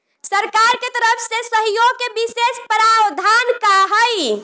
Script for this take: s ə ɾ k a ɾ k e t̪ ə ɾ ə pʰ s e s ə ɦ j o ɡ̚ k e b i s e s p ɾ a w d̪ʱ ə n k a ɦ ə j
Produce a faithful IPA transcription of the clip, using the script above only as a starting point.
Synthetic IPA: s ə ɾ k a ɾ k e t̪ ə ɾ ə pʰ s e s ə ɦ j o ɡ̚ k e b i s e s p ɾ a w d̪ʱ a n k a ɦ ə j